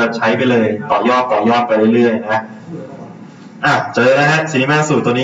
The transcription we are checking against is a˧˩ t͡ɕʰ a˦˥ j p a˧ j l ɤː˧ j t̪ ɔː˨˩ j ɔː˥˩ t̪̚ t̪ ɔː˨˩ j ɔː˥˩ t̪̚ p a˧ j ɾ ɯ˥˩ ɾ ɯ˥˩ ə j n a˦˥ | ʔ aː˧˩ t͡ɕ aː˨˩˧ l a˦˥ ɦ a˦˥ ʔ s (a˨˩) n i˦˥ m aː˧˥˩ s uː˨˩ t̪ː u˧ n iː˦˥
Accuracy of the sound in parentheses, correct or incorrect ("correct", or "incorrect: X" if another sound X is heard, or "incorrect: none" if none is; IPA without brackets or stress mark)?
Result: incorrect: i˨˩